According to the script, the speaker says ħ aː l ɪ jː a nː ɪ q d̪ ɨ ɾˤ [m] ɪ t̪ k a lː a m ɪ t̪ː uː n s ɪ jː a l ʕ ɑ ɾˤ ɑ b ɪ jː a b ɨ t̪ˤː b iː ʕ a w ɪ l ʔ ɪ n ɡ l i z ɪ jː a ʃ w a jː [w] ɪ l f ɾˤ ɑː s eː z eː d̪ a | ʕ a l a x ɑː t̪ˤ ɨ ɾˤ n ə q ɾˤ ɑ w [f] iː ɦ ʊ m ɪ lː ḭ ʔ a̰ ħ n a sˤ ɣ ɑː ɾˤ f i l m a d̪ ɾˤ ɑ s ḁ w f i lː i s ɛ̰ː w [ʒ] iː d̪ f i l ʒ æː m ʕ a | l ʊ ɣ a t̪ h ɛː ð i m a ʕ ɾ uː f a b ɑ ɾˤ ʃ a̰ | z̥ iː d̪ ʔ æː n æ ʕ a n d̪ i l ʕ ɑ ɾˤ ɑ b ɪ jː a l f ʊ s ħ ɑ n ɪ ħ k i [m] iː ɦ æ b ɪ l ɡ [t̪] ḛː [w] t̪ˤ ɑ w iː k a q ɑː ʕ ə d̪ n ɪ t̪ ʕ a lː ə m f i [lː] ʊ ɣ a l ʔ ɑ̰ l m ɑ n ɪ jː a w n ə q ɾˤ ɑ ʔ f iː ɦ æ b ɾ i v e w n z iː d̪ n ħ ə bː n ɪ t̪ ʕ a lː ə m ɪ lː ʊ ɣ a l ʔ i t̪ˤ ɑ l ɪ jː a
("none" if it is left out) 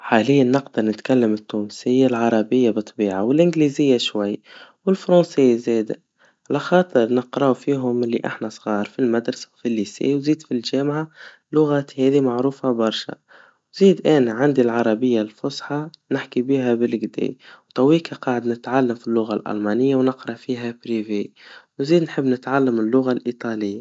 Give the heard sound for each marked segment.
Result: n, w, f, z, b, d̪, w, lː

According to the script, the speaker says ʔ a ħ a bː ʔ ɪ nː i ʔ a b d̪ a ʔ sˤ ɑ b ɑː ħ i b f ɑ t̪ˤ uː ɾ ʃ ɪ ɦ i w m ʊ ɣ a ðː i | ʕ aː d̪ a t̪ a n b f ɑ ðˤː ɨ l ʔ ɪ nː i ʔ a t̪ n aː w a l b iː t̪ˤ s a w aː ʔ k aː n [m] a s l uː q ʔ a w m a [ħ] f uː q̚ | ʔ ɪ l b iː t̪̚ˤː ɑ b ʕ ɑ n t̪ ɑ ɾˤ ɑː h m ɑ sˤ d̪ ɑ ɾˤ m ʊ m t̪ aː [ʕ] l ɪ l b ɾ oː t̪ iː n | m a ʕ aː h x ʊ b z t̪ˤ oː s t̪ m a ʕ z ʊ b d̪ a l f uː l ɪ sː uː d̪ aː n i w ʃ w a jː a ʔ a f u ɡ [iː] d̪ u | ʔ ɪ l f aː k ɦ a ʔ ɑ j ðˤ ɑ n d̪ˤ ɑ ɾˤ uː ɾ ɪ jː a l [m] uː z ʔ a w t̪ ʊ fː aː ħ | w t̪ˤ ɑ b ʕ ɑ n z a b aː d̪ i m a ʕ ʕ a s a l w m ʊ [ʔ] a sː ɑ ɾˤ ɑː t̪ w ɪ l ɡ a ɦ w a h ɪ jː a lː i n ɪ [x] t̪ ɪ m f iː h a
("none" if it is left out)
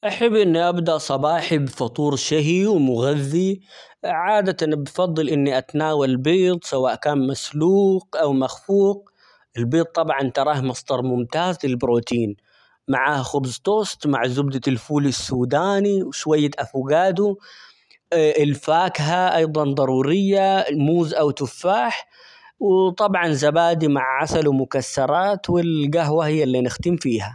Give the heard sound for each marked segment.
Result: m, x, z, aː, m, k, x

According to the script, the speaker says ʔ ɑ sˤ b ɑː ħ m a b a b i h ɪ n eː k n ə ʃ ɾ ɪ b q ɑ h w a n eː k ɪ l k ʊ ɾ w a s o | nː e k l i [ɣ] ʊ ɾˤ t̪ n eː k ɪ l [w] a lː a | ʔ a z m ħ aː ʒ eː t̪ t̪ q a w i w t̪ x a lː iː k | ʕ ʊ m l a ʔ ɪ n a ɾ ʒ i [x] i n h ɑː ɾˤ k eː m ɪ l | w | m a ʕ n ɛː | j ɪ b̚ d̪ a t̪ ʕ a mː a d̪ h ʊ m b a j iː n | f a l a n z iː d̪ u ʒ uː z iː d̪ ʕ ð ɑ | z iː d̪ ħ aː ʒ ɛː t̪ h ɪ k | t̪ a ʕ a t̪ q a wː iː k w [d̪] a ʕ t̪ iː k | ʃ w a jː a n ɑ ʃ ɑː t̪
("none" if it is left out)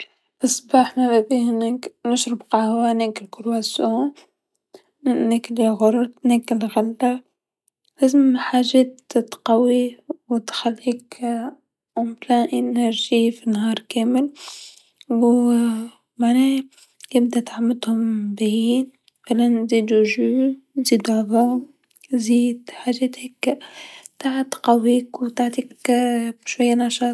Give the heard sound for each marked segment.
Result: ɣ, ɣ, f, t̪

